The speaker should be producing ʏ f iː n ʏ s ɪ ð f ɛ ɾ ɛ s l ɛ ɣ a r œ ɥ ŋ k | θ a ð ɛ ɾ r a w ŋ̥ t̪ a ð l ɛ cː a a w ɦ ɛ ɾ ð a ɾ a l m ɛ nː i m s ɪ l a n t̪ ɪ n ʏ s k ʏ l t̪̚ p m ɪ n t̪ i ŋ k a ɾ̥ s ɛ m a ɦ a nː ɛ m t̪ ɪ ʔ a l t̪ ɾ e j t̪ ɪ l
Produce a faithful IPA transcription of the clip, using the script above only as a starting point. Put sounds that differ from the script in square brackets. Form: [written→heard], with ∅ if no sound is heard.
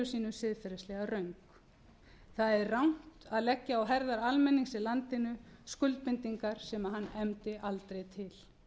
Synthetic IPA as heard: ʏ [f→s] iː n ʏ s ɪ ð f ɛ ɾ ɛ s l ɛ ɣ a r œ ɥ ŋ k | θ a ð ɛ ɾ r a w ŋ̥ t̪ a ð l ɛ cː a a w ɦ ɛ ɾ ð a ɾ a l m ɛ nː i [m→ŋ] s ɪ l a n t̪ ɪ n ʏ s k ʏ l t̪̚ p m ɪ n t̪ i ŋ k a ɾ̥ s ɛ m a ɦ a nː ɛ m t̪ ɪ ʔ a l t̪ ɾ e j [t̪→t̪ʰ] ɪ l